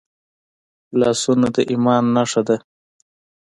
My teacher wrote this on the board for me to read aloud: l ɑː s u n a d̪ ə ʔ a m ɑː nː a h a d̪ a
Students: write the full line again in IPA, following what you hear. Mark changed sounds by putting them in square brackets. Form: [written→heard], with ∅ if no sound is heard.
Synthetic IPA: l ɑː s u n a d̪ ə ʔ [a→i] m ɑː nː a [h→ʂ] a d̪ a